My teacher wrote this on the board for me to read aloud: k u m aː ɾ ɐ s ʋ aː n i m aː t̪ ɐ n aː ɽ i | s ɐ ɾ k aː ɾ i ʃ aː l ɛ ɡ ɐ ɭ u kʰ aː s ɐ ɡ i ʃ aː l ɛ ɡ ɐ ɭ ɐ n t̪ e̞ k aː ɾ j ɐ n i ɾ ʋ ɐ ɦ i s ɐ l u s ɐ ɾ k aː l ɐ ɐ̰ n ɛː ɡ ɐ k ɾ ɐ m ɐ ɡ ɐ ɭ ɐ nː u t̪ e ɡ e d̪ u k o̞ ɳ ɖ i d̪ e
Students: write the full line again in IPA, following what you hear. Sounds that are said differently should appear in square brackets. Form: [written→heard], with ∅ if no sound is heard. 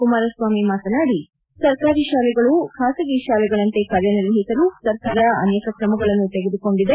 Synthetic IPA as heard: k u m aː ɾ ɐ s ʋ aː [n→m] i m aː t̪ ɐ n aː ɽ i | s ɐ ɾ k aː ɾ i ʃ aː l ɛ ɡ ɐ ɭ u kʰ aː s ɐ ɡ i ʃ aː l ɛ ɡ ɐ ɭ ɐ n t̪ e̞ k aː ɾ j ɐ n i ɾ ʋ ɐ ɦ i s ɐ l u s ɐ ɾ k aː [l→ɾ] ɐ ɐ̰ n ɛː [ɡ→k] ɐ k ɾ ɐ m ɐ ɡ ɐ ɭ ɐ nː u t̪ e ɡ e d̪ u k o̞ ɳ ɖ i d̪ e

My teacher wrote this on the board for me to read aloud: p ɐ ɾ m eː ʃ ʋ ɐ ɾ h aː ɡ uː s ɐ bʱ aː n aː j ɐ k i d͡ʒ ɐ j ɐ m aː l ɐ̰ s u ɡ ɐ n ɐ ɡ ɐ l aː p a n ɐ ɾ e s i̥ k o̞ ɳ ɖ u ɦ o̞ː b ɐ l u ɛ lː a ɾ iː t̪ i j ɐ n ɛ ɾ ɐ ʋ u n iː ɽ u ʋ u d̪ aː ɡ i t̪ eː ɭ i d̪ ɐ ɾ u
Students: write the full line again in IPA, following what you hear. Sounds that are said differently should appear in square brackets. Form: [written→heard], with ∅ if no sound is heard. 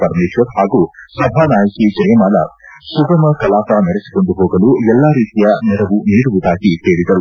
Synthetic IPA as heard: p ɐ ɾ m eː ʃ ʋ ɐ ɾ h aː ɡ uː s ɐ bʱ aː n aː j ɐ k i d͡ʒ ɐ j ɐ m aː l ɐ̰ s u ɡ ɐ [n→m] ɐ [ɡ→k] ɐ l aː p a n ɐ ɾ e s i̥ k o̞ ɳ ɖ u ɦ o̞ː [b→ɡ] ɐ l u ɛ lː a ɾ iː t̪ i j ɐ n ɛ ɾ ɐ ʋ u n iː ɽ u ʋ u d̪ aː ɡ i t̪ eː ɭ i d̪ ɐ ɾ u

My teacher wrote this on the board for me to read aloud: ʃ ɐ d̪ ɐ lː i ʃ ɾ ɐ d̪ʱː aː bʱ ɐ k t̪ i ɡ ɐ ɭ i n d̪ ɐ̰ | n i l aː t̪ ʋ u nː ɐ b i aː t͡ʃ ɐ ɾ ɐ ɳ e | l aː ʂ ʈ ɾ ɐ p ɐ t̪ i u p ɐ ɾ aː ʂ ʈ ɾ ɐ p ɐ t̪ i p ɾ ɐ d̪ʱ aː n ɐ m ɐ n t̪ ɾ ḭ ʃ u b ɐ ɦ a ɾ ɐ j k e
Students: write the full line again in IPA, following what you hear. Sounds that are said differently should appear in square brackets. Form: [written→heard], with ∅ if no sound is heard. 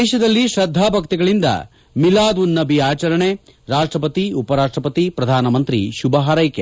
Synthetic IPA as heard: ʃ ɐ d̪ ɐ lː i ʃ ɾ ɐ d̪ʱː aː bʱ ɐ k t̪ i ɡ ɐ ɭ i n d̪ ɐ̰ | [n→m] i l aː [t̪→d̪] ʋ u nː ɐ b i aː t͡ʃ ɐ ɾ ɐ ɳ e | [l→ɾ] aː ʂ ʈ ɾ ɐ p ɐ t̪ i u p ɐ ɾ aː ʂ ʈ ɾ ɐ p ɐ t̪ i p ɾ ɐ d̪ʱ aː n ɐ m ɐ n t̪ ɾ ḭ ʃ u b ɐ ɦ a ɾ ɐ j k e

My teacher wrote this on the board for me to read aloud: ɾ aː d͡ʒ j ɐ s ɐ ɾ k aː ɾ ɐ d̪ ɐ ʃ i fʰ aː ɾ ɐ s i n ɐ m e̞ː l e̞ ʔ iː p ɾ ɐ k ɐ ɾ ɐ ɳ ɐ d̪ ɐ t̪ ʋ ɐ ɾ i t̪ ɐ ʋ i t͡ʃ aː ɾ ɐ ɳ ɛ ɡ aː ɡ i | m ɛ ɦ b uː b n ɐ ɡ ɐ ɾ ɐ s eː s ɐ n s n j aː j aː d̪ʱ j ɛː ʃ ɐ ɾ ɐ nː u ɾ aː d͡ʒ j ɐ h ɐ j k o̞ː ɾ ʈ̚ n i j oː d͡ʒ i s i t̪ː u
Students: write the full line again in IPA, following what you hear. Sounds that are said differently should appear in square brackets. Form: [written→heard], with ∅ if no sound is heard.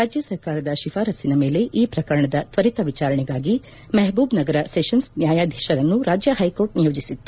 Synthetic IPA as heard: ɾ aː d͡ʒ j ɐ s ɐ ɾ k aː ɾ ɐ d̪ ɐ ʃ i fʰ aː ɾ ɐ s i n ɐ m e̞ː l e̞ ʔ iː p ɾ ɐ k ɐ ɾ ɐ ɳ ɐ d̪ ɐ t̪ ʋ ɐ ɾ i t̪ ɐ ʋ i t͡ʃ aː ɾ ɐ ɳ ɛ ɡ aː ɡ i | m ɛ ɦ b uː b n ɐ ɡ ɐ ɾ ɐ s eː [s→ʃ] ɐ n s n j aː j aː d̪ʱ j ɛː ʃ ɐ ɾ ɐ nː u ɾ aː d͡ʒ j ɐ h ɐ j k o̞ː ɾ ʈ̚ n i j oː d͡ʒ i s i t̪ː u

